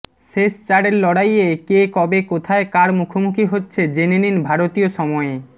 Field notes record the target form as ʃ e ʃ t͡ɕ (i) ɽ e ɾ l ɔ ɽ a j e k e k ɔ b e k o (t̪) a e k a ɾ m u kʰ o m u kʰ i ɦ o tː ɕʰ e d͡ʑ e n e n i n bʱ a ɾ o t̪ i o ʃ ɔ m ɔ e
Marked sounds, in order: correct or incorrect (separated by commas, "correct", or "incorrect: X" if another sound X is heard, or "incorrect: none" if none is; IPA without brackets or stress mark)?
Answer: incorrect: a, incorrect: t̪ʰ